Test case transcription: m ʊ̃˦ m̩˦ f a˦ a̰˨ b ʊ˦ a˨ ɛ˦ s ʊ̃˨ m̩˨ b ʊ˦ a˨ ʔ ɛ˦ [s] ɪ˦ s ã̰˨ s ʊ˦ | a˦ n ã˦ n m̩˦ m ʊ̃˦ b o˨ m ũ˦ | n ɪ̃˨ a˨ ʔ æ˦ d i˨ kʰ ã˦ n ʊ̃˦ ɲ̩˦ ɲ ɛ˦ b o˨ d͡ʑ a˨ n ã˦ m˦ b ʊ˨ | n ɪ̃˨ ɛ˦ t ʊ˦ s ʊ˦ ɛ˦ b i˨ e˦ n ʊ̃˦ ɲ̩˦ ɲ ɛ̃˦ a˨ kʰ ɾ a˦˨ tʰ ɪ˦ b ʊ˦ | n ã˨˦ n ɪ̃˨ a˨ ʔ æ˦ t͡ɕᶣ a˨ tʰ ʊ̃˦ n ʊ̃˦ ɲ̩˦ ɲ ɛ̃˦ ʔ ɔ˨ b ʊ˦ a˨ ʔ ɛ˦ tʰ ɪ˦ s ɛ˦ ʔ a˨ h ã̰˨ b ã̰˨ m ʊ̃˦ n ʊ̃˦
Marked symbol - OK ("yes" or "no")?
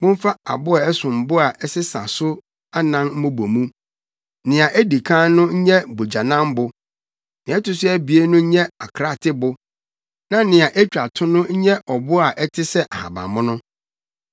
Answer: yes